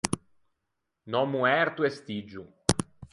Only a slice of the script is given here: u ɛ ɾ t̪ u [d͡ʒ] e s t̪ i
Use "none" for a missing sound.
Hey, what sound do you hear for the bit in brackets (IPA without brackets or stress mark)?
none